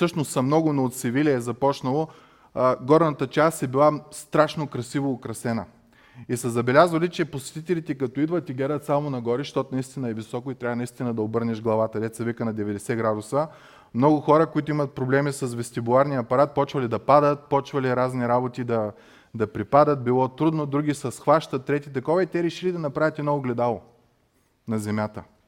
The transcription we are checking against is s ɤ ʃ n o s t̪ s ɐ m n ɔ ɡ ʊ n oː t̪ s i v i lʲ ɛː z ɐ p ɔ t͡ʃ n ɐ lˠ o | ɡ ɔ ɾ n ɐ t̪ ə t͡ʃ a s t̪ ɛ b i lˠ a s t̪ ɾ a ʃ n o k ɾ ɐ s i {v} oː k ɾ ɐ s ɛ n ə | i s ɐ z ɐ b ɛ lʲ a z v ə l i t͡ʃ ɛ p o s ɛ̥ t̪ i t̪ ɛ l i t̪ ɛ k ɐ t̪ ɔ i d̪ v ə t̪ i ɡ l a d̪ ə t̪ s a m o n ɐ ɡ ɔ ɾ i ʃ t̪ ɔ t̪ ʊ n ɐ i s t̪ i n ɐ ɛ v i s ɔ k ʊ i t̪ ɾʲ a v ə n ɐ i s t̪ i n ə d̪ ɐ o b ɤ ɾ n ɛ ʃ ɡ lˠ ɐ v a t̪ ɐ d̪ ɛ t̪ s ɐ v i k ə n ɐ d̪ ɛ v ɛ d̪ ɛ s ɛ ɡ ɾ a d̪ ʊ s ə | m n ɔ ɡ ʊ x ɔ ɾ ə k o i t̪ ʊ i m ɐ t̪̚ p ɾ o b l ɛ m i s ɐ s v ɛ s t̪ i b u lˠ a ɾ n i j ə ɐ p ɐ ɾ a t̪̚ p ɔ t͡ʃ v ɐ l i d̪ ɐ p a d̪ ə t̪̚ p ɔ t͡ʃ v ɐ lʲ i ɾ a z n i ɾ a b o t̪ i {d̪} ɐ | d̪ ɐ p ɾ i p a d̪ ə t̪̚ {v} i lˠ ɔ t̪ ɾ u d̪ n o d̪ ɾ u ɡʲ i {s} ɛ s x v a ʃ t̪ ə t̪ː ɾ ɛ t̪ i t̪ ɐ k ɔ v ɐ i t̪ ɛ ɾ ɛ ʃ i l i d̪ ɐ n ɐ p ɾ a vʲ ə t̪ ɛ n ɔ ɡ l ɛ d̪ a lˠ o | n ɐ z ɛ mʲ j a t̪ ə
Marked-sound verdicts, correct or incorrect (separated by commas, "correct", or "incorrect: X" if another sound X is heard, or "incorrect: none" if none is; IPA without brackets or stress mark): correct, correct, incorrect: b, correct